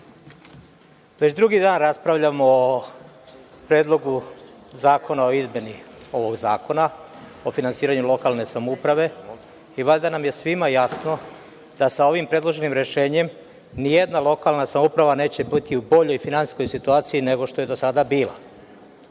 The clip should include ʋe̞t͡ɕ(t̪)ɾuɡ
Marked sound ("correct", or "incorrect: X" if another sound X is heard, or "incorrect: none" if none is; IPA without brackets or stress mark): incorrect: d̪